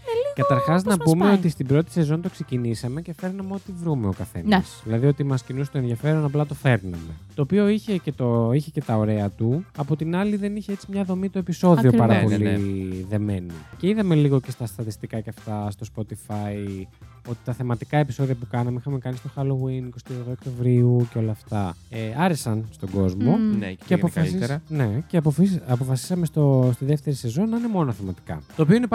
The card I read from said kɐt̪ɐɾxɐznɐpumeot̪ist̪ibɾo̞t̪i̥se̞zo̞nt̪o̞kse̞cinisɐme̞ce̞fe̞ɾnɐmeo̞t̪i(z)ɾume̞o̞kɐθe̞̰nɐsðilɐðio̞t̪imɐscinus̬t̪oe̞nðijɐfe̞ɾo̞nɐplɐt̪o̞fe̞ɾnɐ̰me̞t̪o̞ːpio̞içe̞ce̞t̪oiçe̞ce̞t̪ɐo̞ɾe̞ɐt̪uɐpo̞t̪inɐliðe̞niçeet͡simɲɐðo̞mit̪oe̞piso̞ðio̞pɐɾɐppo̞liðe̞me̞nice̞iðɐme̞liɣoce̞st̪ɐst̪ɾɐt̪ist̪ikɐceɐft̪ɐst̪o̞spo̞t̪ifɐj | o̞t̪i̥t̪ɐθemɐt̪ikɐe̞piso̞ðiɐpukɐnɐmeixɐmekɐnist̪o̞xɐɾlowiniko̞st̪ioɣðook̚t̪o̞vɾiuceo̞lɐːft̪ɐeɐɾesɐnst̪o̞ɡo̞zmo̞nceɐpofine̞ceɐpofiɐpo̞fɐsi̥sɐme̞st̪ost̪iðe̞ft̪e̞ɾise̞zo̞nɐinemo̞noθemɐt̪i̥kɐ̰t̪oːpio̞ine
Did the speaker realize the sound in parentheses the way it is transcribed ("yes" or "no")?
no